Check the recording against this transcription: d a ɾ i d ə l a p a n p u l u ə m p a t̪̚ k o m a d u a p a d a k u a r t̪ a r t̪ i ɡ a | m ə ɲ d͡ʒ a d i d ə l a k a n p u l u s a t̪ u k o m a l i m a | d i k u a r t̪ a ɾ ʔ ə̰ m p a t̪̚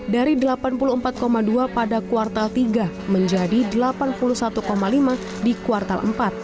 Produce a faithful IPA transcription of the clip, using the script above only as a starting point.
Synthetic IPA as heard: d a ɾ i d ə l a p a n p u l u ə m p a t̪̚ k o m a d u a p a d a k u a r t̪ a l t̪ i ɡ a | m ə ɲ d͡ʒ a d i d ə l a p a n p u l u s a t̪ u k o m a l i m a | d i k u a r t̪ a l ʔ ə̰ m p a t̪̚